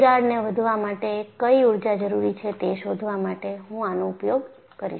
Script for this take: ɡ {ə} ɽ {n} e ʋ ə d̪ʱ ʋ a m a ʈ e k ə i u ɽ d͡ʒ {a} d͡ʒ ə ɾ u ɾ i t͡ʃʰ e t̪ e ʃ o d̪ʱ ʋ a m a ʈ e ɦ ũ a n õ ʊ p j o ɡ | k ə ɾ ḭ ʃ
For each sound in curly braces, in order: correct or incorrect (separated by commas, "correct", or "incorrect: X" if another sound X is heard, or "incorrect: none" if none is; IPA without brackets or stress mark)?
incorrect: a, correct, correct